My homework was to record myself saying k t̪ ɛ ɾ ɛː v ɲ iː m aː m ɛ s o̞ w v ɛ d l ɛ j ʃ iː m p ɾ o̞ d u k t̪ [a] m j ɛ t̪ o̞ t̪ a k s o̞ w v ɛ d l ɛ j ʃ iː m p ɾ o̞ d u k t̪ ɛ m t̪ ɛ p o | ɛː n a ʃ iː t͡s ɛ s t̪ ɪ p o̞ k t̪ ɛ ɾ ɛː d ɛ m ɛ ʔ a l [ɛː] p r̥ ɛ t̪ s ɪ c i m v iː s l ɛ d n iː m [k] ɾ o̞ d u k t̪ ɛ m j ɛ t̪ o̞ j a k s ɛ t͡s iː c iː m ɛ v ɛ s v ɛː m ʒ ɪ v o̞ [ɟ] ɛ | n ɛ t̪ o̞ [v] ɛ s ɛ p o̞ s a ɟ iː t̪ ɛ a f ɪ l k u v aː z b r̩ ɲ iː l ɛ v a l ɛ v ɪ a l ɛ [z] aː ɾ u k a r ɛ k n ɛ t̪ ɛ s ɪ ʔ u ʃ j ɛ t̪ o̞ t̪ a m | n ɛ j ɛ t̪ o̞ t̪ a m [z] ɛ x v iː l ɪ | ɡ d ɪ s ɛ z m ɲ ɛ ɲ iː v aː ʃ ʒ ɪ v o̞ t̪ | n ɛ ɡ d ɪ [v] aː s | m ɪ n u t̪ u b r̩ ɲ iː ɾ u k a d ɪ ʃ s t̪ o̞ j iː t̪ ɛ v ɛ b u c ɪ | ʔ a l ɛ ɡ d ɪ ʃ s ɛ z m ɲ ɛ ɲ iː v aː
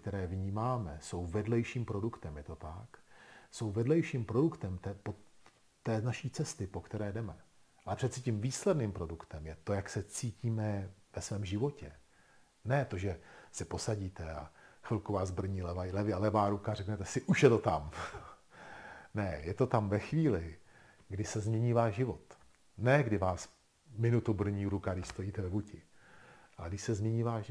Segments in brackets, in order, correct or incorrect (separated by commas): incorrect, incorrect, incorrect, incorrect, incorrect, incorrect, incorrect, correct